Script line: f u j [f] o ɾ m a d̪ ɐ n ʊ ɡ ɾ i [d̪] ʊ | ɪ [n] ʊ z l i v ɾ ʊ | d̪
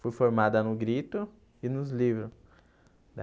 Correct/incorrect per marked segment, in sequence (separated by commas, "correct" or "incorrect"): correct, incorrect, correct